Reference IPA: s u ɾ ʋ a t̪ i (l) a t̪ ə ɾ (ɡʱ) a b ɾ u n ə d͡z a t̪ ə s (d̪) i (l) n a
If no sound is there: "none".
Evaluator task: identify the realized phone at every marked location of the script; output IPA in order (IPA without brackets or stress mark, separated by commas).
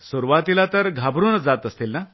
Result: l, ɡʱ, t̪, l